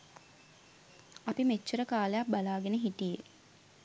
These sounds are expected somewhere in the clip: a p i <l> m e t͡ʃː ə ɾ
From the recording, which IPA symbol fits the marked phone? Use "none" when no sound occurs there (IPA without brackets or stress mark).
none